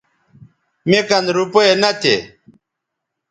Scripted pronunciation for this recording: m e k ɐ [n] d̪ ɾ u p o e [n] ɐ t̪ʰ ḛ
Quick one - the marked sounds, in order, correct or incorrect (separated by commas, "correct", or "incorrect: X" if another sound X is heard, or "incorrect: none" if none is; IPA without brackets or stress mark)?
correct, correct